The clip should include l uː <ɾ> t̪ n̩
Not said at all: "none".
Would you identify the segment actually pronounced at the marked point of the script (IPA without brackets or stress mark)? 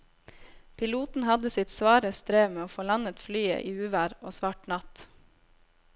none